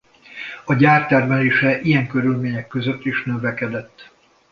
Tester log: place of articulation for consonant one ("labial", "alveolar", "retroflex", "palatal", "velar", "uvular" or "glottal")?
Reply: palatal